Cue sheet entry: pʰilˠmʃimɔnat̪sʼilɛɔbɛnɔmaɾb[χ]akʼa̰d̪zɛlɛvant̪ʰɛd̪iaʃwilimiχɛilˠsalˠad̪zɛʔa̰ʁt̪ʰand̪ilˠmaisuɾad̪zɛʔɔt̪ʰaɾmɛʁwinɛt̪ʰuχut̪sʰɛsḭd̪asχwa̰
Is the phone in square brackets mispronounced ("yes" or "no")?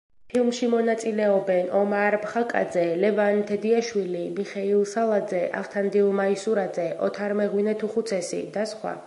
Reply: no